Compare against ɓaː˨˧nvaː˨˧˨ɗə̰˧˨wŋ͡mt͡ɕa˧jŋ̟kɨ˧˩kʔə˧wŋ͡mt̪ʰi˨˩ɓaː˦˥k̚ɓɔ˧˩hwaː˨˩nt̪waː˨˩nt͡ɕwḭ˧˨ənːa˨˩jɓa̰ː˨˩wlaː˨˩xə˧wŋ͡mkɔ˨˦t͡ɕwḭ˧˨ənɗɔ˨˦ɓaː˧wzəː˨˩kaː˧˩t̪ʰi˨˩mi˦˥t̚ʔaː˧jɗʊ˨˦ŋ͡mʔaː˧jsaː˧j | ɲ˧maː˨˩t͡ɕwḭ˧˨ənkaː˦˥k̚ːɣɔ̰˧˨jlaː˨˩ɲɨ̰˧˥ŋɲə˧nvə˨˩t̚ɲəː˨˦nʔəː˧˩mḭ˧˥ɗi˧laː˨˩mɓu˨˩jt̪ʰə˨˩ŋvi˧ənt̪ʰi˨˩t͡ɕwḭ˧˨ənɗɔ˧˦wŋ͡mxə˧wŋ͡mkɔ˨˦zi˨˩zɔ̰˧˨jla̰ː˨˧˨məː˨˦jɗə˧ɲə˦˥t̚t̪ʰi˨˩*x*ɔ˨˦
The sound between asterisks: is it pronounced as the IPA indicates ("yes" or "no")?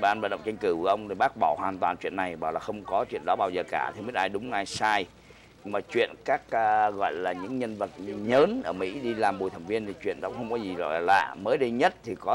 no